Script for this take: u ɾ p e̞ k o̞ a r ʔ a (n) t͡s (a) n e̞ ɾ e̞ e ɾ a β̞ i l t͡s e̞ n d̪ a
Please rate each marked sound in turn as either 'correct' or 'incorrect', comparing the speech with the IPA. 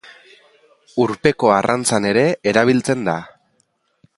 correct, correct

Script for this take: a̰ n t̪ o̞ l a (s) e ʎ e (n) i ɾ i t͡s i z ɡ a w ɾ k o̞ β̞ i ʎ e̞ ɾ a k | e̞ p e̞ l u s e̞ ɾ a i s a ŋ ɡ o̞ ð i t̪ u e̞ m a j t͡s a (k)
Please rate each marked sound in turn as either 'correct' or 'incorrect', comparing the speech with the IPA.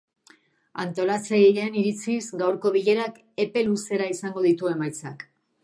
incorrect, correct, correct

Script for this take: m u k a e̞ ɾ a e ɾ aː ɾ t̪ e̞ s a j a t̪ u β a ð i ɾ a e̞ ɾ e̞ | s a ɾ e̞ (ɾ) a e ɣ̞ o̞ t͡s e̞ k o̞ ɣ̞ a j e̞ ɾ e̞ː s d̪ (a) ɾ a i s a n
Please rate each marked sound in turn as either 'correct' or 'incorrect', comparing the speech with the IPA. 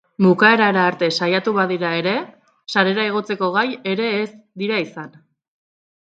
correct, incorrect

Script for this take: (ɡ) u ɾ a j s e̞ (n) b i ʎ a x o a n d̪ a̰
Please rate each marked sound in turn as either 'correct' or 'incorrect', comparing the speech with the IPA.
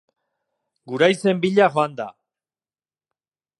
correct, incorrect

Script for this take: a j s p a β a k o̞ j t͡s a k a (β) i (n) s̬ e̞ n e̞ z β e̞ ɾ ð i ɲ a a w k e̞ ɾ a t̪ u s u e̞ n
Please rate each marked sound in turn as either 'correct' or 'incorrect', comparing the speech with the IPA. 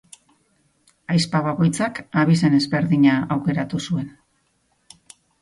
correct, incorrect

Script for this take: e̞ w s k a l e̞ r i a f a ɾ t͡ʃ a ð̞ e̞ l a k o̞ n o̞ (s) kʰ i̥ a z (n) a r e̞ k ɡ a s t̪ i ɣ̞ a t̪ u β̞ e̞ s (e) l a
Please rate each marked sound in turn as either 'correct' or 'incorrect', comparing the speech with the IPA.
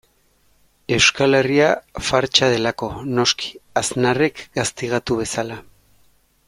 correct, correct, incorrect

